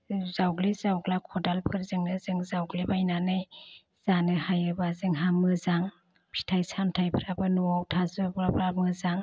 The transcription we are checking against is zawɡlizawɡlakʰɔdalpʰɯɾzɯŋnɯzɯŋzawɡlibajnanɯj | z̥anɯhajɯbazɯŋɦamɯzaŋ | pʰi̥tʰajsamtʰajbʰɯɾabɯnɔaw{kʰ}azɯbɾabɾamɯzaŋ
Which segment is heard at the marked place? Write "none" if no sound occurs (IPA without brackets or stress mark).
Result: tʰ